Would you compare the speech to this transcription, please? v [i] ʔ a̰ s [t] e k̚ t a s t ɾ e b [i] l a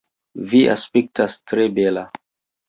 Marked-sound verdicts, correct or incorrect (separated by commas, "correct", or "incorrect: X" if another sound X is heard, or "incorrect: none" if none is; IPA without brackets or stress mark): correct, incorrect: p, incorrect: e